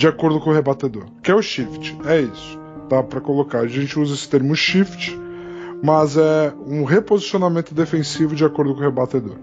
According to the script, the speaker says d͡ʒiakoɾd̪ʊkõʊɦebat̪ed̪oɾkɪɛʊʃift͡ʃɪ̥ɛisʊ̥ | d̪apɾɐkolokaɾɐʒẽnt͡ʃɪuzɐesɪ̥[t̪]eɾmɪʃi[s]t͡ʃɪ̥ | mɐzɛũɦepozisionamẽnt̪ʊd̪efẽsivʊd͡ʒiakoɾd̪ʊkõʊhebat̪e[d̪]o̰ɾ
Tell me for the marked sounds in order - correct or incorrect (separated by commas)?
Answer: correct, incorrect, correct